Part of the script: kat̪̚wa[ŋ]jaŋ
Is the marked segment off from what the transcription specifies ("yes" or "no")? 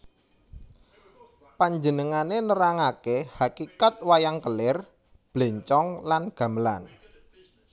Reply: yes